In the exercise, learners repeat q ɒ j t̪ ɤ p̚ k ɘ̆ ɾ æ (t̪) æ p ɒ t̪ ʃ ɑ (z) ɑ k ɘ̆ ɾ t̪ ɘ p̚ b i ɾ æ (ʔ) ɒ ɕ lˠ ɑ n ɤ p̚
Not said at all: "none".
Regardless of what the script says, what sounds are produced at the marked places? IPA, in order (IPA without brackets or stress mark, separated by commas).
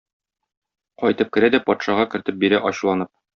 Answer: d̪, ʁ, ʔ